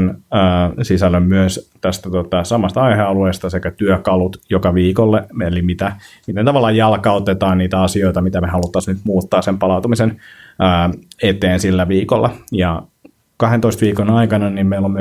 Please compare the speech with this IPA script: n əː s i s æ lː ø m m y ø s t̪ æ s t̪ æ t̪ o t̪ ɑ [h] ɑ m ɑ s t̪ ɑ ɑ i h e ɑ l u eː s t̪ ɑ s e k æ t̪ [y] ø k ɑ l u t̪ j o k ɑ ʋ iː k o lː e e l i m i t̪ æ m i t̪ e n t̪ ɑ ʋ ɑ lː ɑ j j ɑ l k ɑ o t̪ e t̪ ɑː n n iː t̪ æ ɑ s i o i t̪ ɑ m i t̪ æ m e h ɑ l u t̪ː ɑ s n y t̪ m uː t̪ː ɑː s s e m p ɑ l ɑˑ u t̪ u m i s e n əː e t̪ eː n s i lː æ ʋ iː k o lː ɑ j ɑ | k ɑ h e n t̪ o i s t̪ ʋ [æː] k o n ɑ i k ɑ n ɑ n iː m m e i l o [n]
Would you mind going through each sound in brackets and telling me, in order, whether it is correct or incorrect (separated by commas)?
incorrect, correct, incorrect, incorrect